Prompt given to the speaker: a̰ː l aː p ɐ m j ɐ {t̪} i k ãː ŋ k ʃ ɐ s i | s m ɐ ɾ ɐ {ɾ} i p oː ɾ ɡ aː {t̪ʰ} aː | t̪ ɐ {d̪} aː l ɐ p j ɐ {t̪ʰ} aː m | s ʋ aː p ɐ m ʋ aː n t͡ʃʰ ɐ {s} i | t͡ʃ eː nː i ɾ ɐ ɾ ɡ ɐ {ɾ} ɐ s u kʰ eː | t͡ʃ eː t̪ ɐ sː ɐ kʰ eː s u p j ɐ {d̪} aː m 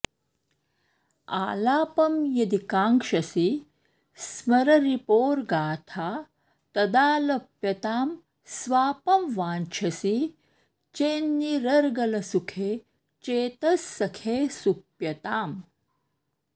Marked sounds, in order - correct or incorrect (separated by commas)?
incorrect, correct, correct, correct, incorrect, correct, incorrect, incorrect